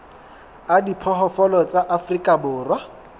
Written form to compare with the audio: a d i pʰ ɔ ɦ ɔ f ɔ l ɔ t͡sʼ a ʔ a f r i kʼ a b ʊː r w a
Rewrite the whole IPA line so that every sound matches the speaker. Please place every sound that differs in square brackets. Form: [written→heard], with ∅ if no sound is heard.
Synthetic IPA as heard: a d i pʰ ɔ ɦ ɔ f ɔ l ɔ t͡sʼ a ʔ a f r i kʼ a b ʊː r w a